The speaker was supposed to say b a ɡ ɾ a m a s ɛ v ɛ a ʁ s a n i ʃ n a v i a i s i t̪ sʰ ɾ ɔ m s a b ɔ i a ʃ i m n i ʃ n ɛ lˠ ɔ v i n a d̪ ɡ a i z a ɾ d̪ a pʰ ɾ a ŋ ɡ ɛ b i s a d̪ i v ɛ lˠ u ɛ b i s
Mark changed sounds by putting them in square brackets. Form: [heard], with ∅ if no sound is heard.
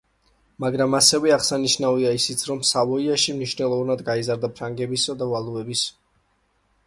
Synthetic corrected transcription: [m] a ɡ ɾ a m a s ɛ v ɛ a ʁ s a n i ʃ n a v i a i s i t̪ sʰ ɾ ɔ m s a [v] ɔ i a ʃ i m n i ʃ n ɛ lˠ ɔ v [a] n a d̪ ɡ a i z a ɾ d̪ a pʰ ɾ a ŋ ɡ ɛ b i s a d̪ [a] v [a] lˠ u ɛ b i s